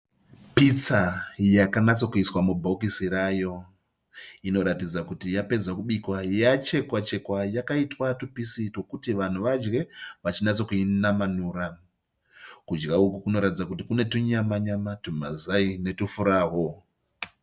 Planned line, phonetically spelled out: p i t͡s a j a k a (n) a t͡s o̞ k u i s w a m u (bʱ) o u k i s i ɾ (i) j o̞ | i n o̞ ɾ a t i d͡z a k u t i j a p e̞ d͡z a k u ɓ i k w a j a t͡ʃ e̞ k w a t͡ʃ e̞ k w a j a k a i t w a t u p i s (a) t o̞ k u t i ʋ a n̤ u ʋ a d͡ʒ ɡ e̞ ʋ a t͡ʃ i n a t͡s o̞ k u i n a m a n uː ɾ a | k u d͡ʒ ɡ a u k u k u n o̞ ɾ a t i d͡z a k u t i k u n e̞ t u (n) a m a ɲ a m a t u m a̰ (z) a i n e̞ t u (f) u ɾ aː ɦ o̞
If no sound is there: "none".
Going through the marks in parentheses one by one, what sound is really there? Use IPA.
n, bʱ, a, i, ɲ, z, f

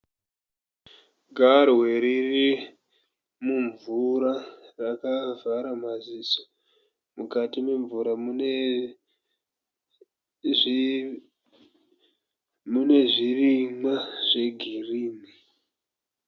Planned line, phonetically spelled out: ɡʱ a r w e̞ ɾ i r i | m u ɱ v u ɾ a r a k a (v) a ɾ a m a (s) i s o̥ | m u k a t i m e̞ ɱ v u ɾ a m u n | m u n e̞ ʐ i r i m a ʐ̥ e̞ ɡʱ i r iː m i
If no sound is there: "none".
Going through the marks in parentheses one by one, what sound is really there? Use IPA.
v, z

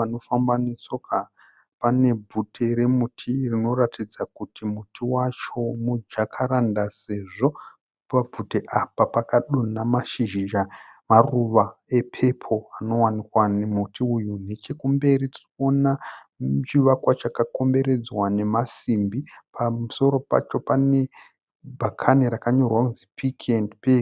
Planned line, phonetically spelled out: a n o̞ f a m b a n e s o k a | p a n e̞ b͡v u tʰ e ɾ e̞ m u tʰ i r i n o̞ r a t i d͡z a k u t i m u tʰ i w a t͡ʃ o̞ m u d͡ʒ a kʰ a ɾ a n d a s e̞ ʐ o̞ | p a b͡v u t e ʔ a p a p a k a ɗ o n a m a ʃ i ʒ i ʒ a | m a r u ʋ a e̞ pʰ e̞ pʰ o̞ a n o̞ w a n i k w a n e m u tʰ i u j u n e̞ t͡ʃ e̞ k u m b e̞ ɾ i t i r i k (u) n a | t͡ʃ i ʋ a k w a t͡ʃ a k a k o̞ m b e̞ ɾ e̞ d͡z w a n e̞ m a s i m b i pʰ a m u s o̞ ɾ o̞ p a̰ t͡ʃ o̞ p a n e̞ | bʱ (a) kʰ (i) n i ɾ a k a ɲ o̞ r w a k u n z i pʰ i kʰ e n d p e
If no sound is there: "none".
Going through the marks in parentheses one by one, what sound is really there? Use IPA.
o, a, a

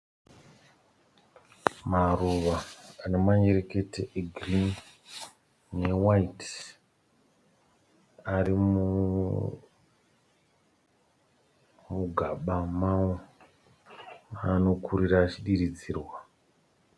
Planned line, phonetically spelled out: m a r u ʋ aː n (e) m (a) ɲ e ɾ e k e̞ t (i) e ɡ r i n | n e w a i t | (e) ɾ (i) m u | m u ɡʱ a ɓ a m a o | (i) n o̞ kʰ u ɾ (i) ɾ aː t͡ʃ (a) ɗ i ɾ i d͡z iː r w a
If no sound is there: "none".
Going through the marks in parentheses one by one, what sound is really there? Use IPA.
e, a, e, a, i, a, i, i

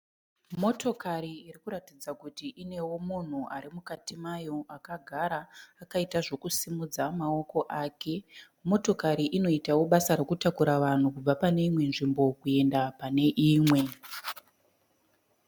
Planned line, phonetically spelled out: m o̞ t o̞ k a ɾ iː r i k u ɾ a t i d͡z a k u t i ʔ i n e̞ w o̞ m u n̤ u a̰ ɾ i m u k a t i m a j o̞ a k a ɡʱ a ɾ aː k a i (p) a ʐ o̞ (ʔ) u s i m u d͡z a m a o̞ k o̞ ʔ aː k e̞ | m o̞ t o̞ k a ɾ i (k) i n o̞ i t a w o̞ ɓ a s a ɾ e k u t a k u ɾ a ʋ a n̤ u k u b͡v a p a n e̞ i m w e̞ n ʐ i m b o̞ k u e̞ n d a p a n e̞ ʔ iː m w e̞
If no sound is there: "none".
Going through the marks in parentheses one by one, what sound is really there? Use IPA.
t, k, ʔ

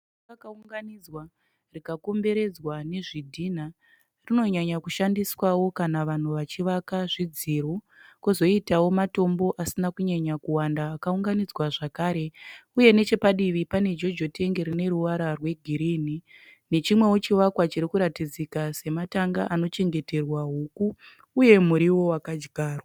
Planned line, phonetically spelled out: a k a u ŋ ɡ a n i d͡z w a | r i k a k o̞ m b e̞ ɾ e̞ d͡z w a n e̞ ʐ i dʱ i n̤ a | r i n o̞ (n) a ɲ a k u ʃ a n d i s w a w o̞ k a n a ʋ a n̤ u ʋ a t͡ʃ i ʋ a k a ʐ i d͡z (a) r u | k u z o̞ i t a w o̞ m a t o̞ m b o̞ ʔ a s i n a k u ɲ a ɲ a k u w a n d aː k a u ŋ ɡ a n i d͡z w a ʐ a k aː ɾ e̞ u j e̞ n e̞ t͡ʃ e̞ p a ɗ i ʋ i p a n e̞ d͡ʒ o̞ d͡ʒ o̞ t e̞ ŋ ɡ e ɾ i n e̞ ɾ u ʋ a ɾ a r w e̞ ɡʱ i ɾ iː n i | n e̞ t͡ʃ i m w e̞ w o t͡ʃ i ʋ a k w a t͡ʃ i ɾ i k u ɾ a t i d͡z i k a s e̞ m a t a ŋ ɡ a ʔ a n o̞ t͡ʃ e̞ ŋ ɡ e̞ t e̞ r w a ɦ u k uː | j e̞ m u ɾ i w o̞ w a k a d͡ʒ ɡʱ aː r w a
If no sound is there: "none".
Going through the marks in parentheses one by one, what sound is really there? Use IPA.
ɲ, i

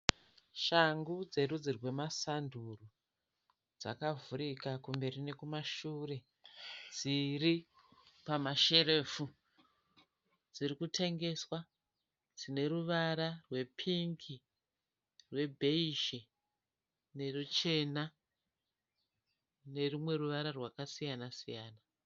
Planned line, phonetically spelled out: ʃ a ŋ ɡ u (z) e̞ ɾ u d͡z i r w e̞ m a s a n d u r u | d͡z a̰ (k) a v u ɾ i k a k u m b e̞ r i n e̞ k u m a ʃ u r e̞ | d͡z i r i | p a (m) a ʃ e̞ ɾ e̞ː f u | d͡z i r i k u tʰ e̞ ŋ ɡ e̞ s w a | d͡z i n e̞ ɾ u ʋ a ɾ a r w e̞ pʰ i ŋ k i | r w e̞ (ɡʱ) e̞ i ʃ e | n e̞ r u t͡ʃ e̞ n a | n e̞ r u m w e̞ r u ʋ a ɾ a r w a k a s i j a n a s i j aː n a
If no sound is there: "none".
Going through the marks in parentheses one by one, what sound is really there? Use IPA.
d͡z, k, m, bʱ

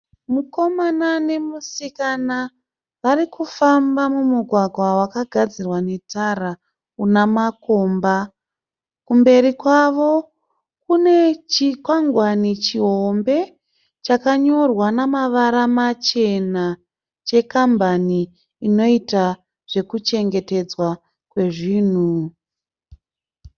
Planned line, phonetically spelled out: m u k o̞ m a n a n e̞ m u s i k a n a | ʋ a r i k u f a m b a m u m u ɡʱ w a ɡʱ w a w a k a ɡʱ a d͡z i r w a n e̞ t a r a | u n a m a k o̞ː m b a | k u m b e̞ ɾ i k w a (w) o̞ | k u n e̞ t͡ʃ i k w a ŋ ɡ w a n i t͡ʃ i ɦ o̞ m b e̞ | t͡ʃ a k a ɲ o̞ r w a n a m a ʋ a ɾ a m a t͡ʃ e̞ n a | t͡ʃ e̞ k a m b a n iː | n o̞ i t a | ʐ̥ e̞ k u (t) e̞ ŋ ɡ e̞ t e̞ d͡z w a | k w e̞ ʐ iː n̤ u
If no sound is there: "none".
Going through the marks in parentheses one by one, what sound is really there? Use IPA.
ʋ, t͡ʃ

